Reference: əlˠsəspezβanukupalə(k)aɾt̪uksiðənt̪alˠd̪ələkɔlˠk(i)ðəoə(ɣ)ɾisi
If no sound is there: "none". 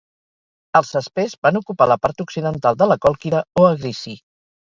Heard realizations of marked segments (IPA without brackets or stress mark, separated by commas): p, i, ɣ